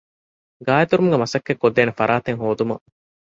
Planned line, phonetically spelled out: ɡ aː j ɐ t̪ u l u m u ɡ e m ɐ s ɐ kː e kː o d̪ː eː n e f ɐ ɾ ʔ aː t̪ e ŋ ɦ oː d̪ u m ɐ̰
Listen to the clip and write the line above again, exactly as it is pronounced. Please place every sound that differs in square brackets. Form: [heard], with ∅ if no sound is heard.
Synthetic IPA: ɡ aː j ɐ t̪ u [ɾ] u m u ɡ e m ɐ s ɐ kː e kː o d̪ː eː n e f ɐ ɾ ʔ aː t̪ e ŋ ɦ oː d̪ u m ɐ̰